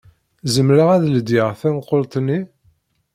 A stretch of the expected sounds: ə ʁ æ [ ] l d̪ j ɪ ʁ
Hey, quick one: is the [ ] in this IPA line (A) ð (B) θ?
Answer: A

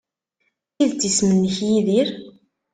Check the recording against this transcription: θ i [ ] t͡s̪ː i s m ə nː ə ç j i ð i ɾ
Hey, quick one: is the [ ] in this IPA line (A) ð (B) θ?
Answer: A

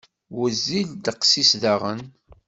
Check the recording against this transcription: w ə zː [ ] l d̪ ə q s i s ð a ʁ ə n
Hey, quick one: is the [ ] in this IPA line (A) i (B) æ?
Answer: A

